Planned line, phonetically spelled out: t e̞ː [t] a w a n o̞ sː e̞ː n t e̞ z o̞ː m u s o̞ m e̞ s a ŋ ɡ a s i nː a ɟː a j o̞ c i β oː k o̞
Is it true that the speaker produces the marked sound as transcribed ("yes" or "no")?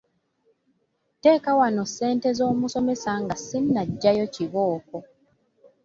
no